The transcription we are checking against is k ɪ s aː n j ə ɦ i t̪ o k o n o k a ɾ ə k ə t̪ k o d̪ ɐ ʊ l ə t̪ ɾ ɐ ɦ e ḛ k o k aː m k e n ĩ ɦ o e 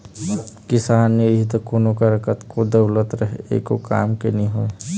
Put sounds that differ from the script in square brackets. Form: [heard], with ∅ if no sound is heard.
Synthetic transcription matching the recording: k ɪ s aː n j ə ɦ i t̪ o k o n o k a ɾ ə k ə t̪ k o d̪ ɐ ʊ l ə t̪ ɾ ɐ ɦ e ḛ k o k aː m k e n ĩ ɦ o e